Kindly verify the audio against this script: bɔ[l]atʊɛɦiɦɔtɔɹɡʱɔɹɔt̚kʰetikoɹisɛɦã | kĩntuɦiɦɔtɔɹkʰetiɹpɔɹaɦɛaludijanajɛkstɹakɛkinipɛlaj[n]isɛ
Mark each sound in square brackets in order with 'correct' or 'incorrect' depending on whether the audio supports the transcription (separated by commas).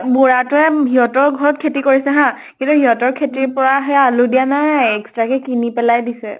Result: incorrect, incorrect